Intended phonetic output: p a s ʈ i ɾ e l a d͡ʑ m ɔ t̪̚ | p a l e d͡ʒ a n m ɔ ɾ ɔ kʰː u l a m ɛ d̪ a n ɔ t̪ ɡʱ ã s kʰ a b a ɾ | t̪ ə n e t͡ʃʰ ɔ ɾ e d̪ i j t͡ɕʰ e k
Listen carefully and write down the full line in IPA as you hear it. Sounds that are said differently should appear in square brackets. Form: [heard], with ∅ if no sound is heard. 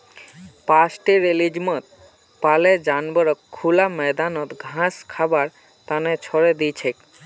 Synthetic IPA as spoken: p a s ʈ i ɾ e l [i] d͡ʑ m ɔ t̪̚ | p a l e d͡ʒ a n [b] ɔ ɾ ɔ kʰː u l a m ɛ d̪ a n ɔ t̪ ɡʱ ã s kʰ a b a ɾ | t̪ [a] n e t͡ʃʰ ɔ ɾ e d̪ i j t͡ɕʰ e k